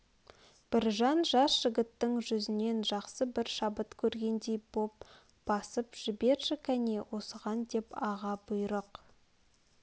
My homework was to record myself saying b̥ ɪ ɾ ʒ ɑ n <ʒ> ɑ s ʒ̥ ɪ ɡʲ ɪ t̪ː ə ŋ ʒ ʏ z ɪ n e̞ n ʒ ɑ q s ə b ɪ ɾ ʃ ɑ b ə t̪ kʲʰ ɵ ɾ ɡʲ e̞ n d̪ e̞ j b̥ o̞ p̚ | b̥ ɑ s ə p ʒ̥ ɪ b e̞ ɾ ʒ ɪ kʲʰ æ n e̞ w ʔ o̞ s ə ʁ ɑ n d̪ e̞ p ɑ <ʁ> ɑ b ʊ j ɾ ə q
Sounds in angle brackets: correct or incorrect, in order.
correct, correct

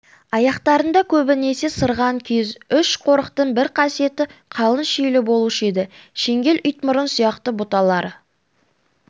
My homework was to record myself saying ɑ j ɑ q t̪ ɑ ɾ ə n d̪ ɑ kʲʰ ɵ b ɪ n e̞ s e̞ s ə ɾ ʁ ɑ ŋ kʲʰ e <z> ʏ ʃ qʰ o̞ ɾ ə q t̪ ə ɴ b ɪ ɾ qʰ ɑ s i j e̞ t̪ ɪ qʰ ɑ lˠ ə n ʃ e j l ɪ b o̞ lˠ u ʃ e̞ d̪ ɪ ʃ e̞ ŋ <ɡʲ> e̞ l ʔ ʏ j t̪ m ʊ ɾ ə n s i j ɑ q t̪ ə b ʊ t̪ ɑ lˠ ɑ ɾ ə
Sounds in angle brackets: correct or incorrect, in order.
correct, correct

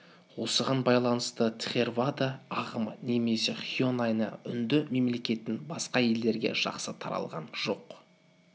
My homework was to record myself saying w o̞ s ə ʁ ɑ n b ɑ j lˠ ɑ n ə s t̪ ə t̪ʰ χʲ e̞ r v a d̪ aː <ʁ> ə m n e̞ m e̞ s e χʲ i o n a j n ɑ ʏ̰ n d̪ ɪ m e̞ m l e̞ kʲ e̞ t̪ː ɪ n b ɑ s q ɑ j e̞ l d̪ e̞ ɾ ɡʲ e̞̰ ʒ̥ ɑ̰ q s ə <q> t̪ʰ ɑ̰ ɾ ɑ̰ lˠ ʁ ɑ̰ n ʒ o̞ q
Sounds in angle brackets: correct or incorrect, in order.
correct, incorrect: none

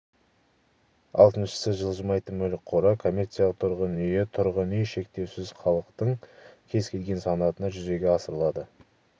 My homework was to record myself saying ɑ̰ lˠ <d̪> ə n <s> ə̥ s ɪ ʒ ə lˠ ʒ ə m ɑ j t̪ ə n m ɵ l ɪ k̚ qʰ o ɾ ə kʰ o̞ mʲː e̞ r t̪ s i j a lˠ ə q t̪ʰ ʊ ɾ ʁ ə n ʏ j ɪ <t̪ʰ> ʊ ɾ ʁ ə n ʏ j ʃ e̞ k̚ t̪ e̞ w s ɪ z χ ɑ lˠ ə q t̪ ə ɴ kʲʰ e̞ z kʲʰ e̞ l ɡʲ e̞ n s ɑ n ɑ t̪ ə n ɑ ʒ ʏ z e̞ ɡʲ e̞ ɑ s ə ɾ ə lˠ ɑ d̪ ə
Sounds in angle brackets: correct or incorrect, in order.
incorrect: t̪, incorrect: ʃ, correct

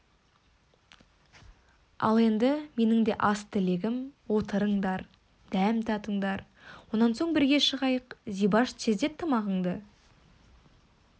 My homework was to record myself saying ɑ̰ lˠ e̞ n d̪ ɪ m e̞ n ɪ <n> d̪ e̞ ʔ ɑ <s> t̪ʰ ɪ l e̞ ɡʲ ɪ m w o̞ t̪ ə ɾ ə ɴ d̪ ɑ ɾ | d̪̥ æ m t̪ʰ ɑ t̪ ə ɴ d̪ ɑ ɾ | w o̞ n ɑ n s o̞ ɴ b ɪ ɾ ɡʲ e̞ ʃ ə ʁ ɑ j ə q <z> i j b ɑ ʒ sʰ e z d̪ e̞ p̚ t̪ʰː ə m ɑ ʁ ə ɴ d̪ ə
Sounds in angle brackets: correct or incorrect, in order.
incorrect: ŋ, correct, correct

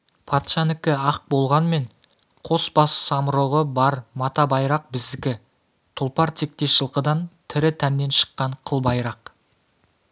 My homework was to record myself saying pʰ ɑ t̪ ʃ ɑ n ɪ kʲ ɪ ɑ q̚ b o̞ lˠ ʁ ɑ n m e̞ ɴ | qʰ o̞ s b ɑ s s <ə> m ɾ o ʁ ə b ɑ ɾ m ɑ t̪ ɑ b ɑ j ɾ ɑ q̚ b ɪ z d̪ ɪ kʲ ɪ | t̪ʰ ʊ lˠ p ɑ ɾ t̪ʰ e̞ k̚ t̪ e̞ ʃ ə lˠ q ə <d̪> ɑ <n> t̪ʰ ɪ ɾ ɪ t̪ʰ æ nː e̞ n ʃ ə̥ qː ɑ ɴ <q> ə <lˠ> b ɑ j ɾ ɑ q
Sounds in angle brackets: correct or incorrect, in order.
incorrect: ɑ, correct, correct, incorrect: qʰ, correct

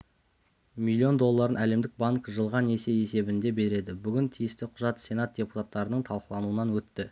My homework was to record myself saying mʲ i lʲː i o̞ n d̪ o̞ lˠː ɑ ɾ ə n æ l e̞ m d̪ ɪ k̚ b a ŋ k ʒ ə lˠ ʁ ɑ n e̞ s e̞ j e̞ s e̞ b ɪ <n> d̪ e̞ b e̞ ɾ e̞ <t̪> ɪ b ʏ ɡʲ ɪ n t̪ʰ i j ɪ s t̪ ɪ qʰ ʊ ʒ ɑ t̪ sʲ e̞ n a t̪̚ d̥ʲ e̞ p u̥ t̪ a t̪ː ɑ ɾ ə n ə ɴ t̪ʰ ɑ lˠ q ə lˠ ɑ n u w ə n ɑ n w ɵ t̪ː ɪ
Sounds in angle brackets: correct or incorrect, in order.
correct, incorrect: d̪

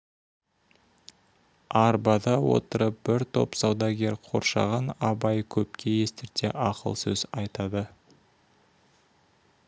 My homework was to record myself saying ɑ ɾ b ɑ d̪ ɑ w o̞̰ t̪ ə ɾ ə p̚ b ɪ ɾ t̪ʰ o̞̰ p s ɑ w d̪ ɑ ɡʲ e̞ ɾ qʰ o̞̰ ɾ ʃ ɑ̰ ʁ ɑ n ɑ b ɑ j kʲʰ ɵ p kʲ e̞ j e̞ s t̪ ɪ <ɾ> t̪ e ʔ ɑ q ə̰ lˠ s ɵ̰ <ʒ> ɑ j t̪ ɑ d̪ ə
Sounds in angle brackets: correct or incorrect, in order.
correct, incorrect: z

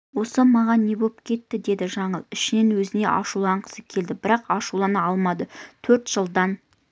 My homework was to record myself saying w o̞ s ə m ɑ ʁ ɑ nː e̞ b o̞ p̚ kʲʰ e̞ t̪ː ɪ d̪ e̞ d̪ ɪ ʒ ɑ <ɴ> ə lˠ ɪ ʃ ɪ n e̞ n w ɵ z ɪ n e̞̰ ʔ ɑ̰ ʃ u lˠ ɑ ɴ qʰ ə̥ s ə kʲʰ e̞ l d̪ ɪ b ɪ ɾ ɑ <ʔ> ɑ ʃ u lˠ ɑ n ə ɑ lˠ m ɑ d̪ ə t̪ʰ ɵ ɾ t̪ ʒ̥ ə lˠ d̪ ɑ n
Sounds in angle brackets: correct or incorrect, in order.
correct, incorrect: q

